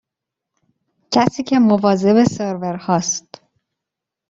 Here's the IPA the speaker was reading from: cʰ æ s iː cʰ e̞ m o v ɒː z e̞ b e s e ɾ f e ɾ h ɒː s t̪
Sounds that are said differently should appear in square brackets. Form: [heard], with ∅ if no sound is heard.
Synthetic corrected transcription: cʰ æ s iː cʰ e̞ m o v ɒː z e̞ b e s e ɾ [v] e ɾ h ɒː s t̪